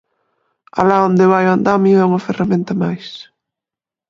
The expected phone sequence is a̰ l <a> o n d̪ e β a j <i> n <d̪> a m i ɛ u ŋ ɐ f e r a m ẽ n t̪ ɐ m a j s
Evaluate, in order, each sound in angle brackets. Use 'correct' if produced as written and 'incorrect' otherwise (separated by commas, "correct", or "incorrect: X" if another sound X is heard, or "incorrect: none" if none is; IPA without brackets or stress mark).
correct, incorrect: a, correct